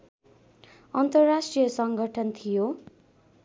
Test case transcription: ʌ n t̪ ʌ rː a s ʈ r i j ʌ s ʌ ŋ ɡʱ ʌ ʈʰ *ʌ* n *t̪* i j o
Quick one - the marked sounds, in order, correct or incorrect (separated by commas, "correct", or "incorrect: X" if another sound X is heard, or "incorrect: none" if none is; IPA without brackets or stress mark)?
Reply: correct, incorrect: t̪ʰ